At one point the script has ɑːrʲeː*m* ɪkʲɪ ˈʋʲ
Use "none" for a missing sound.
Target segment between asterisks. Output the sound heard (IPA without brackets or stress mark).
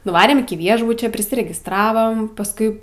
m